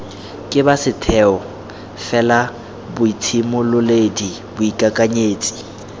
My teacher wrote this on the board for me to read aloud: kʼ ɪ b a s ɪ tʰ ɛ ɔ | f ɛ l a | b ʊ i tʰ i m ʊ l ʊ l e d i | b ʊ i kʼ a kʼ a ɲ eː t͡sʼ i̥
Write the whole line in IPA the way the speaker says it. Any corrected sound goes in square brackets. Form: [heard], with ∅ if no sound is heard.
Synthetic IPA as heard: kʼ ɪ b a s ɪ tʰ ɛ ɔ | f ɛ l a | b ʊ i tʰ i m ʊ l ʊ l e d i | b ʊ i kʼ a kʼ a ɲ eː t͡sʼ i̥

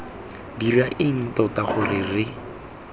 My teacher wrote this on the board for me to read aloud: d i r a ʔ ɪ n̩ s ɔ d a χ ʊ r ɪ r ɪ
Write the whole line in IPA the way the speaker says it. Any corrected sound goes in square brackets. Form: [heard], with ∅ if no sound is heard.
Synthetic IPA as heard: d i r a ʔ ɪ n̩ [t] ɔ [t] a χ ʊ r ɪ r ɪ

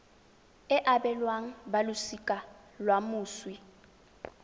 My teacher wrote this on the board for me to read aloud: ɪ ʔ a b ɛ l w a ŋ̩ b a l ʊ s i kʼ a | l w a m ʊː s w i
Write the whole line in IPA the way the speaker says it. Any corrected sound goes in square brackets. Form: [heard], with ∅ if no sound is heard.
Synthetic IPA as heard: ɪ ʔ a b ɛ l w a ŋ̩ b a l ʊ s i kʼ a | l w a m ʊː s w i

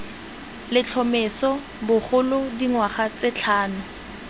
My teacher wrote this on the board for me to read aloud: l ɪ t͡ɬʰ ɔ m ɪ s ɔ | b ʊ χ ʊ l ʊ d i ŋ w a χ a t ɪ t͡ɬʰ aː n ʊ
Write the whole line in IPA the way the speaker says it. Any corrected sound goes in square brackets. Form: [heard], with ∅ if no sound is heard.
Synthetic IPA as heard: l ɪ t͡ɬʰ ɔ m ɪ s ɔ | b ʊ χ ʊ l ʊ d i ŋ w a χ a [t͡s] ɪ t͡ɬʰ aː n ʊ

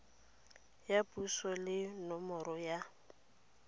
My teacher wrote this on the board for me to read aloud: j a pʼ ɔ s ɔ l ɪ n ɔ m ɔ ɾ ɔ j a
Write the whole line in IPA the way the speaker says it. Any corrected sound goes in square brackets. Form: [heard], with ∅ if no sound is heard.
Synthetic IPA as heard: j a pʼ [u] s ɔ l ɪ n ɔ m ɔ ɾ ɔ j a

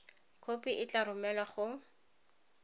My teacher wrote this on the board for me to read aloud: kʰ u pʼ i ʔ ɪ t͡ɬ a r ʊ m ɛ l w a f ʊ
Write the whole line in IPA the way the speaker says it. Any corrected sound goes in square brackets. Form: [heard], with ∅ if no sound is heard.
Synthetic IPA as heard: kʰ [o] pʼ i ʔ ɪ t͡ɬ a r ʊ m ɛ l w a [χ] ʊ

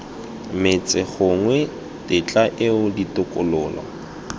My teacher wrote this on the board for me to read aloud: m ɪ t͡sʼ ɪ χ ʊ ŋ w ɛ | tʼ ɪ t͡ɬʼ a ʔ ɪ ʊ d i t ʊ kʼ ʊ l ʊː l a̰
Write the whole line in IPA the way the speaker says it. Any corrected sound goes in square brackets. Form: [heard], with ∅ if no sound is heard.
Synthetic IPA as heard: m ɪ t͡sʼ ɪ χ ʊ ŋ w ɛ | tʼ ɪ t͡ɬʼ a ʔ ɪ ʊ d i t ʊ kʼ ʊ l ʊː l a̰

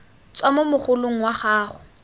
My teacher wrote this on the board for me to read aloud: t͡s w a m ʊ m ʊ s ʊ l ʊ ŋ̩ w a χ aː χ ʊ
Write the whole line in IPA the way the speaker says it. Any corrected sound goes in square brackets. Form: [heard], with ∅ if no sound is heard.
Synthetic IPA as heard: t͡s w a m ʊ m ʊ [χ] ʊ l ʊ ŋ̩ w a χ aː χ ʊ

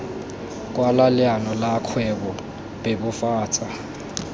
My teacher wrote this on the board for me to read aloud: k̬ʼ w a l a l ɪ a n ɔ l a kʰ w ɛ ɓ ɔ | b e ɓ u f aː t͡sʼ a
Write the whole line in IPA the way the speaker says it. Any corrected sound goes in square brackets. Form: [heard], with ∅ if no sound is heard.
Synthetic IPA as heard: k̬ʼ w a l a l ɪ a n ɔ l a kʰ w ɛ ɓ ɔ | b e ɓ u f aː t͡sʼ a

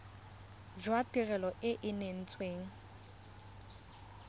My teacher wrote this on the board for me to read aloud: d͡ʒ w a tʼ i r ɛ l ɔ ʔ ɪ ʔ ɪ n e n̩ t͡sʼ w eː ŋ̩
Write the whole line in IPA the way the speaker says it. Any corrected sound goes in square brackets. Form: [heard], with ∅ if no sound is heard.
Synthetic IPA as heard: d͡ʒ w a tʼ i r ɛ l ɔ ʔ ɪ ʔ ɪ n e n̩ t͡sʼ w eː ŋ̩

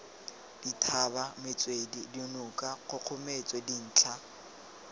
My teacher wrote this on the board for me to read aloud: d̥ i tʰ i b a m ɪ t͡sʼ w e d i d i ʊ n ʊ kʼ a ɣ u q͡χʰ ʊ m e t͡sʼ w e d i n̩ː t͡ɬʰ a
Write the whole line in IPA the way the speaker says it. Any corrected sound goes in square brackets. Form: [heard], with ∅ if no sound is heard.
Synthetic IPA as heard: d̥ i tʰ [a] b a m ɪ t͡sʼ w e d i d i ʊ n ʊ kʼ a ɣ [ʊ] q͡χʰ ʊ m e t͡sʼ w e d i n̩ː t͡ɬʰ a

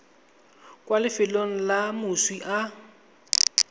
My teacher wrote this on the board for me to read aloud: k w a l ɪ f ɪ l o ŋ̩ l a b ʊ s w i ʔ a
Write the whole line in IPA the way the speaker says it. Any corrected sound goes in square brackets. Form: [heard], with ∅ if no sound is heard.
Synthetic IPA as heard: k w a l ɪ f ɪ l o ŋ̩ l a [m] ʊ s w i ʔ a

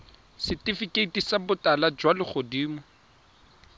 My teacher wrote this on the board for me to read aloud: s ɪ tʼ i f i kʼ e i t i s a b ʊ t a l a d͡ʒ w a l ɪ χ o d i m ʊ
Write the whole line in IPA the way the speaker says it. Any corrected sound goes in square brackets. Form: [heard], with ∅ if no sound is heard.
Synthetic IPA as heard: s ɪ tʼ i f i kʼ e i t i s a b ʊ t a l a d͡ʒ w a l ɪ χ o d [iː] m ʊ

